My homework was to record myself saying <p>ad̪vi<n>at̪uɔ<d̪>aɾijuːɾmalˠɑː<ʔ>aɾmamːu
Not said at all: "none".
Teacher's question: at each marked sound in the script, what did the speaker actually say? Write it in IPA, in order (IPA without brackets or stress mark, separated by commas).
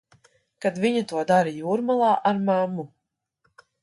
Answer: k, ɲ, d̪, ʔ